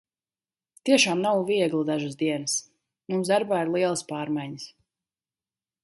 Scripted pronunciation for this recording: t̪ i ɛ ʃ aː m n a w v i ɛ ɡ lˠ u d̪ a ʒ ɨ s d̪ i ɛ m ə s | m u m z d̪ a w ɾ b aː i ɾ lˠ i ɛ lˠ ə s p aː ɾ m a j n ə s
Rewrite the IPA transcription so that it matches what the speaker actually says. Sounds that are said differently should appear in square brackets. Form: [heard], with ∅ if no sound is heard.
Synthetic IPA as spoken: t̪ i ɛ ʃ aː m n a w v i ɛ ɡ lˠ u d̪ a ʒ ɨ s d̪ i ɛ [n] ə s | m u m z d̪ a [∅] ɾ b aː i ɾ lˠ i ɛ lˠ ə s p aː ɾ m a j [ɲ] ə s